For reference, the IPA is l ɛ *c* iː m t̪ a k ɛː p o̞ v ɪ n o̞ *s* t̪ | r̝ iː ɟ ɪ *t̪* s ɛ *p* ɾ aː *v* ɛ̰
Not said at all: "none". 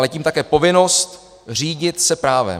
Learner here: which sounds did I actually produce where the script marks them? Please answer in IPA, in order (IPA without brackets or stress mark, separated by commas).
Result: c, s, t̪, p, v